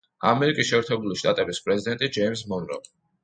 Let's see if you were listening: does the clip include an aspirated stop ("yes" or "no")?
yes